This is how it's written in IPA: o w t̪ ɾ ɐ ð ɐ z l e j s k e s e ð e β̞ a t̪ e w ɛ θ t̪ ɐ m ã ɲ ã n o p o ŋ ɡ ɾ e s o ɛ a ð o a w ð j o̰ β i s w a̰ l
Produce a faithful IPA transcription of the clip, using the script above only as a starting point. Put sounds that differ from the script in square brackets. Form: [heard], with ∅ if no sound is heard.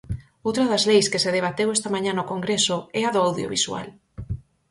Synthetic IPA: o w t̪ ɾ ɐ ð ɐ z l e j s k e s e ð e β̞ a t̪ e w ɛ [s] t̪ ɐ m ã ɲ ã n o [k] o ŋ ɡ ɾ e s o ɛ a ð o a w ð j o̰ β i s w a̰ l